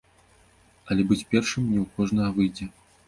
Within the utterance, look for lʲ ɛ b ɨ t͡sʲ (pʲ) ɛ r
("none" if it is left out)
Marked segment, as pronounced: pʲ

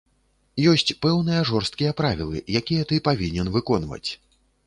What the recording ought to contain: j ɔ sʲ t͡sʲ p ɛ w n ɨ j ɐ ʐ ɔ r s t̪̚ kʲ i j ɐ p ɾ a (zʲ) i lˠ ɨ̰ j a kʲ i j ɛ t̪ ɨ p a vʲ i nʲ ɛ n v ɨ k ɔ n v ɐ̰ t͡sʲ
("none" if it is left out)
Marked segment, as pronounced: vʲ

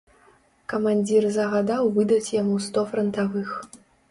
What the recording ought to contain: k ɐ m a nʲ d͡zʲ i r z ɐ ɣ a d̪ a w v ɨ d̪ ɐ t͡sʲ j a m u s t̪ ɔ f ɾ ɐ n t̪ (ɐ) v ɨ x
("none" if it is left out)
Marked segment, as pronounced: a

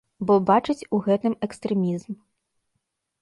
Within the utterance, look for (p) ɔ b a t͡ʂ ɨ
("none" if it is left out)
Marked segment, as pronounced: b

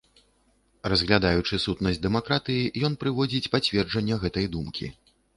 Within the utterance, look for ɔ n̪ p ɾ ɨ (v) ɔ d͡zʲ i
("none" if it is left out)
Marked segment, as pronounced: v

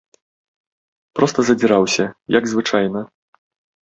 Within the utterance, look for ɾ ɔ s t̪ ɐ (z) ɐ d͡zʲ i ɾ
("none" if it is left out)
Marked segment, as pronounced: z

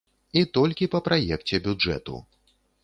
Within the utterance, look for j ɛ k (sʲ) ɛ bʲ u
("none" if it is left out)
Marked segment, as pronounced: t͡sʲ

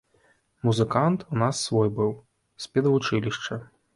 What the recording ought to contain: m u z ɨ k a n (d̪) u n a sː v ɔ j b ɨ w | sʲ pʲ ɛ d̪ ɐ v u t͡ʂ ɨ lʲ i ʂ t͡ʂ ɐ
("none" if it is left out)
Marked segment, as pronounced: t̪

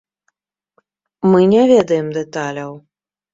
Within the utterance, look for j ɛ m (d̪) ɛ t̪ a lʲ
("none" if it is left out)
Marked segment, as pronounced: d̪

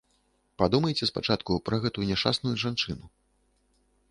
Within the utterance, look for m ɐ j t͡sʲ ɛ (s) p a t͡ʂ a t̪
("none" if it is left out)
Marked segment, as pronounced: s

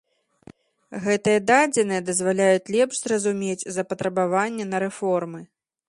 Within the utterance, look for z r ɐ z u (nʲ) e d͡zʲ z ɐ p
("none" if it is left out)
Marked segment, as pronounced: mʲ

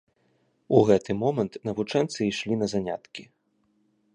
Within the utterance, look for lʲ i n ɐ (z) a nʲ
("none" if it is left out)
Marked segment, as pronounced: z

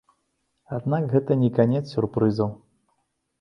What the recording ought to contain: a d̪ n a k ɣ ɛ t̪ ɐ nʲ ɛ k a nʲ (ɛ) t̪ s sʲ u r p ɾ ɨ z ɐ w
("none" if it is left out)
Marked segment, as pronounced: ɛ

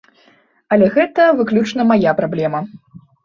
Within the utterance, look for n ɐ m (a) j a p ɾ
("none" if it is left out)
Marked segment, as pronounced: a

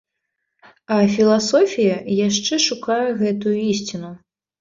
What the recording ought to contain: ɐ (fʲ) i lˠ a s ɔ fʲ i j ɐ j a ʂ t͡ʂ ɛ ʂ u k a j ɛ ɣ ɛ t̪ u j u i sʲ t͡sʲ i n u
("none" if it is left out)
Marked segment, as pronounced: fʲ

